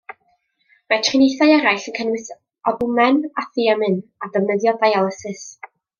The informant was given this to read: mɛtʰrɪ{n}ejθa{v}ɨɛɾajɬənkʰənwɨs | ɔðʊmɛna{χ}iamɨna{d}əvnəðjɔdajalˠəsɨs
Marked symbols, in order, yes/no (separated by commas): yes, no, no, yes